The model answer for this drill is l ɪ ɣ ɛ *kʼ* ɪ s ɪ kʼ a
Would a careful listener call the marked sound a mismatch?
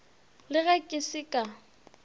no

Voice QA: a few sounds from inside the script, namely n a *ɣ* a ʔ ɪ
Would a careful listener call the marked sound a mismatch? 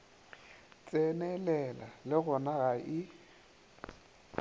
no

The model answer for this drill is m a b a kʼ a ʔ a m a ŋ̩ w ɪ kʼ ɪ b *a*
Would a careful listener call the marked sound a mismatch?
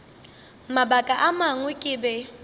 yes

